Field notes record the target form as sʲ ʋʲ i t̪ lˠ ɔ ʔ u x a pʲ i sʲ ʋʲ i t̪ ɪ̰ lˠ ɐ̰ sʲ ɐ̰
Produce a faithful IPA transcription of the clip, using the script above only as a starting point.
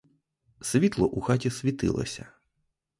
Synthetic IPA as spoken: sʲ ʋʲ i t̪ lˠ ɔ ʔ u x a tʲ i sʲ ʋʲ i t̪ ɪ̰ lˠ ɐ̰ sʲ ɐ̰